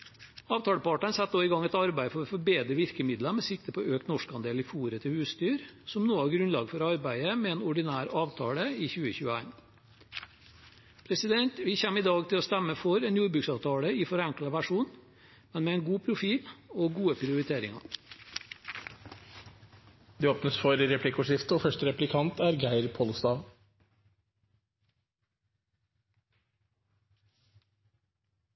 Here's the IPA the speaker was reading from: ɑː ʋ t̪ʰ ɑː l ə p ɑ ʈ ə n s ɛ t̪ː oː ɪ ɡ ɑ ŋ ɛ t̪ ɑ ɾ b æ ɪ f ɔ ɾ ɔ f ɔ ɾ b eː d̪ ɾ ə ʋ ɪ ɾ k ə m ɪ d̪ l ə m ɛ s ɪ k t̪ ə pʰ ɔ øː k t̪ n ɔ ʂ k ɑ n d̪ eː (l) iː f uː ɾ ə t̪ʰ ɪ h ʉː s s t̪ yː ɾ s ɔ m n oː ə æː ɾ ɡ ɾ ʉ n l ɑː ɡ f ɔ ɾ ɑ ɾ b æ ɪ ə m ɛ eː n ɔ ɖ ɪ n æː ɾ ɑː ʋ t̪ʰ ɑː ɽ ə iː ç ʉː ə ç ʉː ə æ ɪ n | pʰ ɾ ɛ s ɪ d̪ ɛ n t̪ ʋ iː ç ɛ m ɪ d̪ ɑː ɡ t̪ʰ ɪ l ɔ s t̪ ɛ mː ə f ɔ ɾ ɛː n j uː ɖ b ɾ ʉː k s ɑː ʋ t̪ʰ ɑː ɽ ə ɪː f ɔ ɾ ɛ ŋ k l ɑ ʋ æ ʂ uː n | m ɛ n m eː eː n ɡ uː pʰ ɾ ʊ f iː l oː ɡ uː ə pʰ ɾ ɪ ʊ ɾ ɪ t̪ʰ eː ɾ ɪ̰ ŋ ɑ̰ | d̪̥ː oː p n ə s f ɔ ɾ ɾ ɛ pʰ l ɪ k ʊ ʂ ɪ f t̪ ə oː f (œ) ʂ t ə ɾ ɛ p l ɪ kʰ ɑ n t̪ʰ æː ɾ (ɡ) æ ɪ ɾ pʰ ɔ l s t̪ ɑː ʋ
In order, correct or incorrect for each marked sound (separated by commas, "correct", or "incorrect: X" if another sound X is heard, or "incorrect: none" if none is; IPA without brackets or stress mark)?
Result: correct, correct, correct